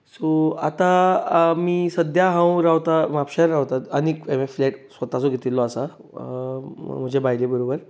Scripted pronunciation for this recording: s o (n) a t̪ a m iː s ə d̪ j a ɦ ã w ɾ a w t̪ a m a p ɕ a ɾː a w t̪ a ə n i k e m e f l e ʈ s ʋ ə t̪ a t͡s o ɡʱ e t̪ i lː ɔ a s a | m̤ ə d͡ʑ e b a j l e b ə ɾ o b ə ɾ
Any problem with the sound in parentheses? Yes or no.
yes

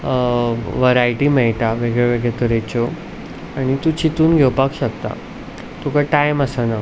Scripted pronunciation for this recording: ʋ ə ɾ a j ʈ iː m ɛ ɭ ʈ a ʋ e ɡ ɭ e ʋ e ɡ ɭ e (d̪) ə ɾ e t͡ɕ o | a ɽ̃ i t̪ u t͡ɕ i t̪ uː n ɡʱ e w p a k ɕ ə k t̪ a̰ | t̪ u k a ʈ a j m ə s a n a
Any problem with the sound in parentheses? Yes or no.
yes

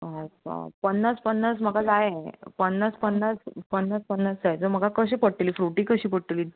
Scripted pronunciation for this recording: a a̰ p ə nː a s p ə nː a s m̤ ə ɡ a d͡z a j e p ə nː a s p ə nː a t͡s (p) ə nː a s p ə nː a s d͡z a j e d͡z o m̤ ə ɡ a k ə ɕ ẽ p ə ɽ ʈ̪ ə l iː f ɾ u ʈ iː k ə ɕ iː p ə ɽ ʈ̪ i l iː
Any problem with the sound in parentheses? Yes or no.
no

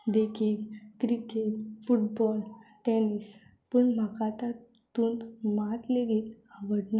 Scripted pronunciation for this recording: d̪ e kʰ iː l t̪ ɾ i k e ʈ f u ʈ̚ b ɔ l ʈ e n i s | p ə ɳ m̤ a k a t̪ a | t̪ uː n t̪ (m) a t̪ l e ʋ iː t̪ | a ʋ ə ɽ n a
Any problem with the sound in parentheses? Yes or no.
no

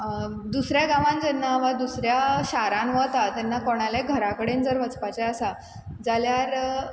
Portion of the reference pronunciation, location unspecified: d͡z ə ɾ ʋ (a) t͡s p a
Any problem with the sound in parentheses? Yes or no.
yes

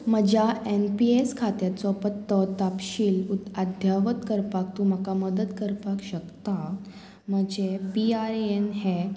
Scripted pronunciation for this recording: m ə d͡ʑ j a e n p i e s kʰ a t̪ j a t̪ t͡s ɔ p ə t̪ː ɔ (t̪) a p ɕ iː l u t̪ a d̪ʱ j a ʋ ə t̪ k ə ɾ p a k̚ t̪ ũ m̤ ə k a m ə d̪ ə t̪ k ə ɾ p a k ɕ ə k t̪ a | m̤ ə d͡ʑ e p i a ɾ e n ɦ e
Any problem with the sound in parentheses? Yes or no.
no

